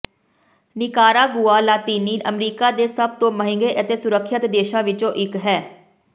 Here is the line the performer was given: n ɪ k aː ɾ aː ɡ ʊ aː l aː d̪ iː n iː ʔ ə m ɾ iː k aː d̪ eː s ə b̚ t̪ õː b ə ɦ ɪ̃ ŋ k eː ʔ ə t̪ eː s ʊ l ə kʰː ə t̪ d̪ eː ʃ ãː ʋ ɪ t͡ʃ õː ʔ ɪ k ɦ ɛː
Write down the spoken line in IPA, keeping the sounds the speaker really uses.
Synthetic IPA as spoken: n ɪ k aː ɾ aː ɡ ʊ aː l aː t̪ iː n iː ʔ ə m ɾ iː k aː d̪ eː s ə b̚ t̪ õː m ə ɦ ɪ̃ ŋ ɡ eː ʔ ə t̪ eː s ʊ ɾ ə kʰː ə t̪ d̪ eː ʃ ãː ʋ ɪ t͡ʃ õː ʔ ɪ k ɦ ɛː